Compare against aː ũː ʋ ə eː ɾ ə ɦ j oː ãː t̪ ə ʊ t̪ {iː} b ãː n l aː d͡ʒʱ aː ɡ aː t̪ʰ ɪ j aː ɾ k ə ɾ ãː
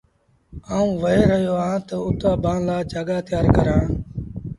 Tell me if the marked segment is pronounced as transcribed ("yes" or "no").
no